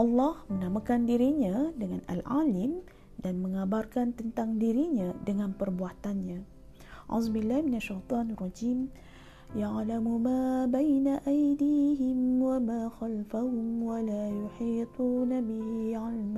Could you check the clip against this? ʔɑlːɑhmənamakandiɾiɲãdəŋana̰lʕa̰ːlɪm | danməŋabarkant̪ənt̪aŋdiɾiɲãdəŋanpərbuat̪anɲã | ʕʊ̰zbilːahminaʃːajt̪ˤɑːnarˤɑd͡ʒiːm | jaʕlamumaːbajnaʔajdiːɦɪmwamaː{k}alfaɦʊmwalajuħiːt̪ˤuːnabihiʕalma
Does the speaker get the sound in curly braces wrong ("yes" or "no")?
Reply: yes